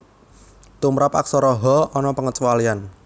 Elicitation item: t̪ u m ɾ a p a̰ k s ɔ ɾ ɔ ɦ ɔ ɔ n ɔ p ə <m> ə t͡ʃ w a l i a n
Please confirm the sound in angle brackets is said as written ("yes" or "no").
no